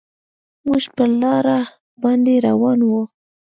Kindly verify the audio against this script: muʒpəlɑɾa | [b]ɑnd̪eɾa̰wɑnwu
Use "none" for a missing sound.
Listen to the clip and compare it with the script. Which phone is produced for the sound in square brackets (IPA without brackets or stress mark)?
b